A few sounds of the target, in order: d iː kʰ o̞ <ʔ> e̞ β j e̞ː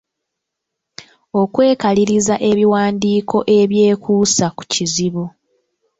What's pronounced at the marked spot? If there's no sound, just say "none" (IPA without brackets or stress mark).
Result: ʔ